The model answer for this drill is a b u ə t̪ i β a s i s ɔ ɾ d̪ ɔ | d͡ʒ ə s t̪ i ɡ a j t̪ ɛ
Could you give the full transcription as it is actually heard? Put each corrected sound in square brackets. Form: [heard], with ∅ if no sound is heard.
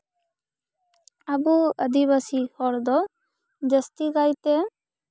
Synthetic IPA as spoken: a b u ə [d̪] i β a s i [h] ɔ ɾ d̪ ɔ | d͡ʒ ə s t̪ i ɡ a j t̪ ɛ